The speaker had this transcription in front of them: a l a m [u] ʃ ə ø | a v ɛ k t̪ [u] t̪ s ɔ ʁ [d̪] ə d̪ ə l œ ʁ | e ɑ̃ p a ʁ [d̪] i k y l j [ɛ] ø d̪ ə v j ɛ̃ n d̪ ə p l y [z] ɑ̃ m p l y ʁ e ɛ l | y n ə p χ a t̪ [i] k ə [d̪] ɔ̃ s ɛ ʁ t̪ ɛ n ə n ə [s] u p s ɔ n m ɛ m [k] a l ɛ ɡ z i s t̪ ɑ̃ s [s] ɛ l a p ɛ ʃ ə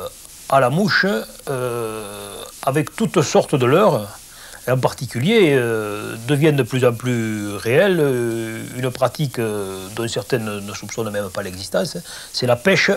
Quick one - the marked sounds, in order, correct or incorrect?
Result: correct, correct, incorrect: t̪, incorrect: t̪, incorrect: e, correct, correct, correct, correct, incorrect: p, correct

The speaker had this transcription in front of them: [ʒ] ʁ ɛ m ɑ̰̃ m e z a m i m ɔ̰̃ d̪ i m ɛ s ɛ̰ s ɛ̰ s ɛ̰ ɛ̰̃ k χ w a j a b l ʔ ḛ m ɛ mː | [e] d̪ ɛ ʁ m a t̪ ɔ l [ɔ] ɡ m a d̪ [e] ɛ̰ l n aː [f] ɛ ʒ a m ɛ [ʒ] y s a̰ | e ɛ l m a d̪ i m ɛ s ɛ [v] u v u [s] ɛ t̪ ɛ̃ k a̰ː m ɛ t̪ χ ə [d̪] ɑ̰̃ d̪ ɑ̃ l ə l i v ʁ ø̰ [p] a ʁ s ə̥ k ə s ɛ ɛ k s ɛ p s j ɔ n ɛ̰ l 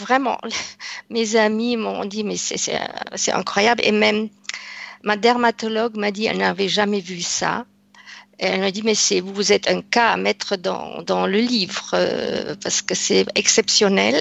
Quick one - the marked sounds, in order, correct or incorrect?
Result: incorrect: v, incorrect: a, correct, incorrect: i, incorrect: v, incorrect: v, correct, incorrect: z, correct, correct

